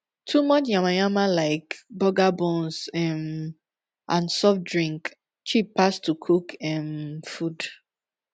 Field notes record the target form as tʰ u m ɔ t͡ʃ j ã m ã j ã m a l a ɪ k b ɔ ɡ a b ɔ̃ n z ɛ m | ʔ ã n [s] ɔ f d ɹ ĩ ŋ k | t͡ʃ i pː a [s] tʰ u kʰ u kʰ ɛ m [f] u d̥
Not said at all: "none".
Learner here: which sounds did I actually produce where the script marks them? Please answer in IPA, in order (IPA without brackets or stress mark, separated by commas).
s, s, f